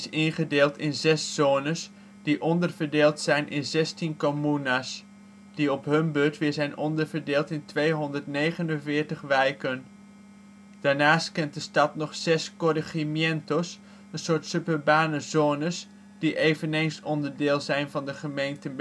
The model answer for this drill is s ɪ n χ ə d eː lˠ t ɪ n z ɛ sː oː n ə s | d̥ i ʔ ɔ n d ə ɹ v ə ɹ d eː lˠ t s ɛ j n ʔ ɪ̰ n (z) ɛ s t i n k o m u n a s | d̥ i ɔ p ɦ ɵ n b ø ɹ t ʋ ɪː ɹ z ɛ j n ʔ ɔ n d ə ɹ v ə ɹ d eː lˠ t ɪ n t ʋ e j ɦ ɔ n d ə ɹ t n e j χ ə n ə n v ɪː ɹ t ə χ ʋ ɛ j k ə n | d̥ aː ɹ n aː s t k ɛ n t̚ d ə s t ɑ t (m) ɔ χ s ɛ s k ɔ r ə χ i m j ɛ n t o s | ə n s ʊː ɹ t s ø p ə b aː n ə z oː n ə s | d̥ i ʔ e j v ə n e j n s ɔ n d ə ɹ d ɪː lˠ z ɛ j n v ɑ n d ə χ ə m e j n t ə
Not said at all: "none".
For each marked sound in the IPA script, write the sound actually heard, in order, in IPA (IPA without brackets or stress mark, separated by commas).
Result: z, n